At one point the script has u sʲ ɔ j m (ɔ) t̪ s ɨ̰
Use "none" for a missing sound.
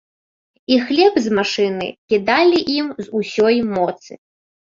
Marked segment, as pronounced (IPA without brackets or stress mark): ɔ